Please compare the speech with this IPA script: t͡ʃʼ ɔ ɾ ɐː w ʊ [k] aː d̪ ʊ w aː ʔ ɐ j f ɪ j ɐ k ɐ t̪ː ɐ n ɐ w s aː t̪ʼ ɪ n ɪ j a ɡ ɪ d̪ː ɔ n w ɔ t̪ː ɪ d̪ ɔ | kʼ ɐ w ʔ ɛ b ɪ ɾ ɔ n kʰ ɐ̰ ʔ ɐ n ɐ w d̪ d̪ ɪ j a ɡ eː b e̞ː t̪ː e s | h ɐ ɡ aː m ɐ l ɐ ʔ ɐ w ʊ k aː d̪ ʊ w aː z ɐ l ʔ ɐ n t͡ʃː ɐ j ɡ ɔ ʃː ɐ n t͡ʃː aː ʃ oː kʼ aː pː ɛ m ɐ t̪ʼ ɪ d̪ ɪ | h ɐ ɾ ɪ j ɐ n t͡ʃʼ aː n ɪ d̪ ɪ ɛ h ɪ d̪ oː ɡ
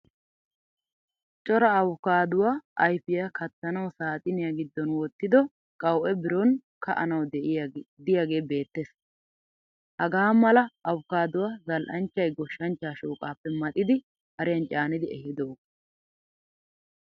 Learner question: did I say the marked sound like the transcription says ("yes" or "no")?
yes